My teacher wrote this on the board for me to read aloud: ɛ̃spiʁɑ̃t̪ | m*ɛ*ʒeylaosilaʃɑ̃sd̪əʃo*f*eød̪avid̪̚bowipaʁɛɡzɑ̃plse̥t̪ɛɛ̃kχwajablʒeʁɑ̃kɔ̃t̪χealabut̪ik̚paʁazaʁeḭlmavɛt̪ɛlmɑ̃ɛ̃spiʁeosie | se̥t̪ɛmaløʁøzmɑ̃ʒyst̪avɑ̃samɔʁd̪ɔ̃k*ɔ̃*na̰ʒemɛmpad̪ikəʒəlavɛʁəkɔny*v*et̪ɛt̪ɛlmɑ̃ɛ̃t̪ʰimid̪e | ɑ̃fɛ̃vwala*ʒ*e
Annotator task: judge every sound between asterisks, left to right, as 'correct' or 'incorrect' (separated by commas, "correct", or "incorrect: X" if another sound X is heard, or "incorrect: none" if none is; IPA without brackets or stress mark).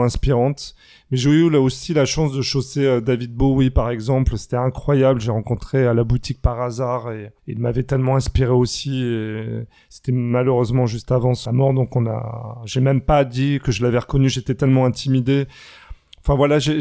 correct, incorrect: s, correct, incorrect: ʒ, correct